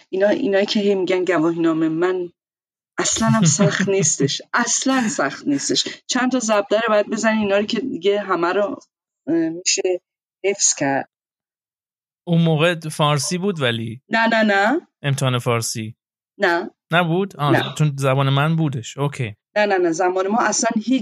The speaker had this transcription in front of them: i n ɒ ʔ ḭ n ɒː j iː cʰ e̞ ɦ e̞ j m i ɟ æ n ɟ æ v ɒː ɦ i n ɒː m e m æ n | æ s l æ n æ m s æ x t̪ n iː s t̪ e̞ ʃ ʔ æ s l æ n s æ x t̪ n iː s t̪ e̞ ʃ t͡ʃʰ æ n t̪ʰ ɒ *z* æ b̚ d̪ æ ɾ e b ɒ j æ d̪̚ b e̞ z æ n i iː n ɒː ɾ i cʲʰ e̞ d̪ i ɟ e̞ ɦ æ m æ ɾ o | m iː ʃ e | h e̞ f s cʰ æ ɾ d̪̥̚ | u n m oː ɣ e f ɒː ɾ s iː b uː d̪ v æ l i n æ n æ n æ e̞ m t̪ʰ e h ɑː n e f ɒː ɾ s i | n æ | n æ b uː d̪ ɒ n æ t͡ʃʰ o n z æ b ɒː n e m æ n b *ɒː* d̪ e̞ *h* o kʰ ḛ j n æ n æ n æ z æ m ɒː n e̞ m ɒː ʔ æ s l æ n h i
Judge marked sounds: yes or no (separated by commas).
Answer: yes, no, no